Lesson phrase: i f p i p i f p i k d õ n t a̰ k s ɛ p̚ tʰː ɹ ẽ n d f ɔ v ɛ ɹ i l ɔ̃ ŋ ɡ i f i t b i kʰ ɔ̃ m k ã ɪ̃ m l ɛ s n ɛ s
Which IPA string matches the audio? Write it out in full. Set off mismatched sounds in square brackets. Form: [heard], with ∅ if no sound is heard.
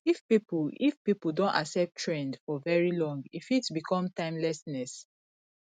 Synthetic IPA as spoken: i f p i p i f p i [p] d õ n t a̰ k s ɛ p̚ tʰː ɹ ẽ n d f ɔ v ɛ ɹ i l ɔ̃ ŋ ɡ i f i t b i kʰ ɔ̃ m [t] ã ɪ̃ m l ɛ s n ɛ s

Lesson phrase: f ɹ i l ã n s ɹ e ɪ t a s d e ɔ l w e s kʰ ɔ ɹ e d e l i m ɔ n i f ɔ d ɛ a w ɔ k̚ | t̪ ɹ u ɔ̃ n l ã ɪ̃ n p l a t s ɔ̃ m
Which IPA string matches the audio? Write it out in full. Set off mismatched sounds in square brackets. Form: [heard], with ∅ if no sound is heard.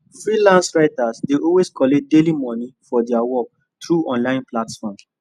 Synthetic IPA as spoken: f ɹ i l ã n s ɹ [a] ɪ t a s d e ɔ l w e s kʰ ɔ [l] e d e l i m ɔ n i f ɔ d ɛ a w ɔ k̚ | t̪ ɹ u ɔ̃ n l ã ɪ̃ n p l a t [f] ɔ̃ m

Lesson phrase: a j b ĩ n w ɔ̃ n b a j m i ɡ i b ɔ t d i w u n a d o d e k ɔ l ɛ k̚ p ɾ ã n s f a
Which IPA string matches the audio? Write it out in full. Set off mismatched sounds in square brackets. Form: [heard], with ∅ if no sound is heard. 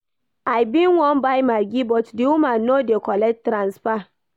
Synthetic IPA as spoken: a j b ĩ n w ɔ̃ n b a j m [a] ɡ i b ɔ t d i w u [m] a [n] o d e k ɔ l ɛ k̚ [t] ɾ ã n s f a

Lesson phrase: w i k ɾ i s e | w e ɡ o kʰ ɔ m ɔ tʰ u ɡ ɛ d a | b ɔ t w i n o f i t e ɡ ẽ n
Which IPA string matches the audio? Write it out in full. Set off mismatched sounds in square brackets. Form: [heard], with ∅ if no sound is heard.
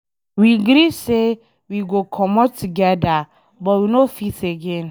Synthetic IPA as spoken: w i [ɡ] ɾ i s e | w [i] ɡ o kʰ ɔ m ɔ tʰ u ɡ ɛ d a | b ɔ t w i n o f i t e ɡ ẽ n

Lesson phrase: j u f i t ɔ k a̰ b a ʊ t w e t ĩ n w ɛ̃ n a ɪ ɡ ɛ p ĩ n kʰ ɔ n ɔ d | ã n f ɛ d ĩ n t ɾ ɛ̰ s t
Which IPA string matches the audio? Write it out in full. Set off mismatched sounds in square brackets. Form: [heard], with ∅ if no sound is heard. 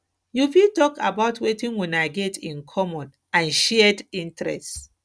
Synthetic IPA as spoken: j u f i t ɔ k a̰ b a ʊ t w e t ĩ n w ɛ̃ n a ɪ ɡ ɛ [t] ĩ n kʰ ɔ [m] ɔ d | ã n [ʃ] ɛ d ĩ n t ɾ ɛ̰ s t

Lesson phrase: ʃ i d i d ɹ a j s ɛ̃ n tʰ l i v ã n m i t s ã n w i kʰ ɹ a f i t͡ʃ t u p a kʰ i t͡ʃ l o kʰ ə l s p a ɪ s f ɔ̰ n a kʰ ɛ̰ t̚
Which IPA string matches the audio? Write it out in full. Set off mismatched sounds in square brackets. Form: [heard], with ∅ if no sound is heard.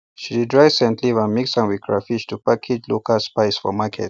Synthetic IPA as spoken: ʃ i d i d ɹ a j s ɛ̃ n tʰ l i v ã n m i [k] s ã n w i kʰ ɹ a f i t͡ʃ t u p a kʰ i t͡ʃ l o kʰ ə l s p a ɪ s f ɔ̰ [m] a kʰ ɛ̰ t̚

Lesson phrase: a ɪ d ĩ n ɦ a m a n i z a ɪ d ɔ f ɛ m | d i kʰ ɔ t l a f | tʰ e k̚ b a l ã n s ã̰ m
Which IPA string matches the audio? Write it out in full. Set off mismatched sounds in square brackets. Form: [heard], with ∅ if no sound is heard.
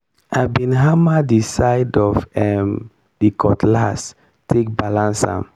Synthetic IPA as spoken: a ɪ [b] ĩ n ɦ a m a [d] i [s] a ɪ d ɔ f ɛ m | d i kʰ ɔ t l a [s] | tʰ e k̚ b a l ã n s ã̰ m

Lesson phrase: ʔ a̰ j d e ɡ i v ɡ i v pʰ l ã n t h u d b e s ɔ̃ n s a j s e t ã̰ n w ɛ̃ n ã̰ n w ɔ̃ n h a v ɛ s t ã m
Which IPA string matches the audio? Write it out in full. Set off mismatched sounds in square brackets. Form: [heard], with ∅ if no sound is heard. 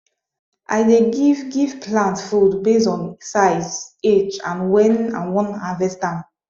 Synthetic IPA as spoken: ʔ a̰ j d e ɡ i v ɡ i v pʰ l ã n t [f] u d b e s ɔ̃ n s a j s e [t͡ʃ] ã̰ n w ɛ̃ n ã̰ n w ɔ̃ n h a v ɛ s t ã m

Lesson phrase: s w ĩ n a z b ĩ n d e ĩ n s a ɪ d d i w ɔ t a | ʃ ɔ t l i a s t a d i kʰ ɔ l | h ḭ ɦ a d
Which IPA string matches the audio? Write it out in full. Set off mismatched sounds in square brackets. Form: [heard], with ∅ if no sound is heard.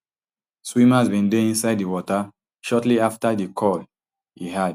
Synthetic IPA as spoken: s w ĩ [m] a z b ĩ n d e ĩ n s a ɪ d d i w ɔ t a | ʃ ɔ t l i a [f] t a d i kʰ ɔ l | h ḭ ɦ a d

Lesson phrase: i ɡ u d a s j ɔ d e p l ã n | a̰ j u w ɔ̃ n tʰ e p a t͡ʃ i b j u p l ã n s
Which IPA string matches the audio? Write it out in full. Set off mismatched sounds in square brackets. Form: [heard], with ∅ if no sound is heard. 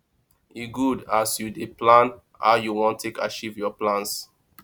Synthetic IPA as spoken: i ɡ u d a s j [u] d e p l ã n | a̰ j u w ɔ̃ n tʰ e [k] a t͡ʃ i [v] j [ɔ] p l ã n s

